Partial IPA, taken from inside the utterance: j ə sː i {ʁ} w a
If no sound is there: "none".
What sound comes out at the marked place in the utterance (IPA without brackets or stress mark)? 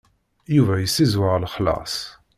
z